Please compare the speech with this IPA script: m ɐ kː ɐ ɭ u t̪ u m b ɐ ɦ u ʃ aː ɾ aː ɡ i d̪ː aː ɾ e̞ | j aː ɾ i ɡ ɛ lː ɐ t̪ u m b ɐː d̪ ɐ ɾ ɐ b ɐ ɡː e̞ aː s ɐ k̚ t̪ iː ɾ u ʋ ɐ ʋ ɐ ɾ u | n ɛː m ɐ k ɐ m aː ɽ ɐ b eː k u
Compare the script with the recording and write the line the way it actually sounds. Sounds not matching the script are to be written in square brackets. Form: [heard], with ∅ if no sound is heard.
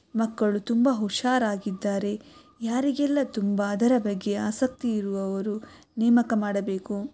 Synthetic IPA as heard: m ɐ kː ɐ ɭ u t̪ u m b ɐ ɦ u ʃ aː ɾ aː ɡ i d̪ː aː ɾ e̞ | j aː ɾ i ɡ ɛ lː ɐ t̪ u m b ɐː d̪ ɐ ɾ ɐ b ɐ ɡː e̞ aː s ɐ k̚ t̪ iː ɾ u ʋ ɐ ʋ ɐ ɾ u | n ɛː m ɐ k ɐ m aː ɽ ɐ b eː k u